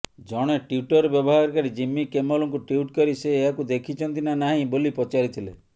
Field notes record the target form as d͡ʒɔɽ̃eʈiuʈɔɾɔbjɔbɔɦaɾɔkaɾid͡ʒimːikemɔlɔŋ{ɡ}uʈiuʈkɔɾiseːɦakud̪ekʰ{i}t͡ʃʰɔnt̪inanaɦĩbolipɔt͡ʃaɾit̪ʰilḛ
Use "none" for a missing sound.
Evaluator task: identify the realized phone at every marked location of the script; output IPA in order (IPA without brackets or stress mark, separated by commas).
k, i